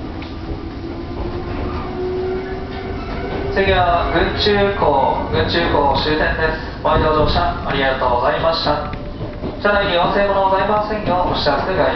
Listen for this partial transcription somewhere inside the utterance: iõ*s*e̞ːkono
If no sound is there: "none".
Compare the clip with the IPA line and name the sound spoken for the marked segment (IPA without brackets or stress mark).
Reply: s